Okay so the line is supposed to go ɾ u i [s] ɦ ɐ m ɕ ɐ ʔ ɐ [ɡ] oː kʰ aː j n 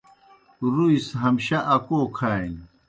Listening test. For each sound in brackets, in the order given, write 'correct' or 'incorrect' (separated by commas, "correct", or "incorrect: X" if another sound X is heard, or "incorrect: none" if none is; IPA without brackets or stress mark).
correct, incorrect: k